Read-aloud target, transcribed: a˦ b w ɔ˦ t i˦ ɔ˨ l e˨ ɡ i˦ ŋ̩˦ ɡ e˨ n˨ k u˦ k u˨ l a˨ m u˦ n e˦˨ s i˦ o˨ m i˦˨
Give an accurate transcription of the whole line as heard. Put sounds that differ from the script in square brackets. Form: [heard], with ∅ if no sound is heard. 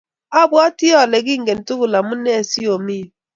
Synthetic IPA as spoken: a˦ b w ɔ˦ t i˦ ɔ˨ l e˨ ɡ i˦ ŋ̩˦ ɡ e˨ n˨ [t] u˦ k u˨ l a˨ m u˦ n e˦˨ s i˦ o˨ m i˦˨